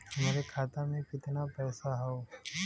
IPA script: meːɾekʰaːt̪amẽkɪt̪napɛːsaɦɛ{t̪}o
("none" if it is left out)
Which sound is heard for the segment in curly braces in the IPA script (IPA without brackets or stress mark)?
none